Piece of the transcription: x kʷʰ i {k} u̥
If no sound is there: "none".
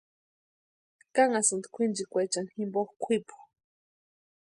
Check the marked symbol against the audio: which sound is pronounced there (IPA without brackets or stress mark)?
p